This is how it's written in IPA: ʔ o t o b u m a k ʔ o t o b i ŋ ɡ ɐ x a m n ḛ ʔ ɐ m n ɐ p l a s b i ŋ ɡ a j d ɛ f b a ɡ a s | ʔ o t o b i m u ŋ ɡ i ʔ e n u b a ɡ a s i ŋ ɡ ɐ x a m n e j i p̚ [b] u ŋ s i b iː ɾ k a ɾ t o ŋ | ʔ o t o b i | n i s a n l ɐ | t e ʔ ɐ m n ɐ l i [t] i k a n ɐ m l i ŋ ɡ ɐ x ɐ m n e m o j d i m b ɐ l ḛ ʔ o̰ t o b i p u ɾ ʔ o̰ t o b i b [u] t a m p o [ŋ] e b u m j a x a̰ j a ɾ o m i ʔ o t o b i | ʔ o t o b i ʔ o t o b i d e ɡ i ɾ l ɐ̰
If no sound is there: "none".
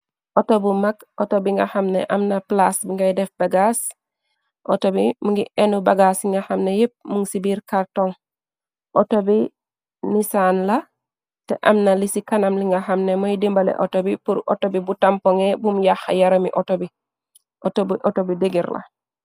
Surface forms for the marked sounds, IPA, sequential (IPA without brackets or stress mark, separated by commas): m, s, u, ŋ